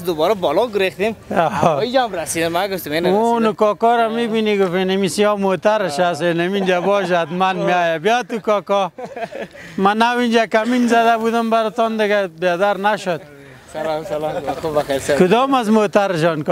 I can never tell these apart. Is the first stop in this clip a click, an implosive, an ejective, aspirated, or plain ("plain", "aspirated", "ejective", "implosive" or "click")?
plain